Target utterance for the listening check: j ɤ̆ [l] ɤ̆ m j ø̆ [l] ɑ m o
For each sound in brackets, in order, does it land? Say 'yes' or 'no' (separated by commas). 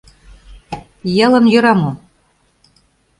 yes, no